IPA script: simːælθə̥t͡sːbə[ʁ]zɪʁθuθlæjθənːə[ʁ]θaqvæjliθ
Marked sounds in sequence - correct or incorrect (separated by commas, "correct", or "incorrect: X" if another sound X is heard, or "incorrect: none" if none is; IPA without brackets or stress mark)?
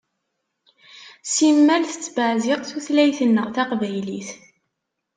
incorrect: ʕ, correct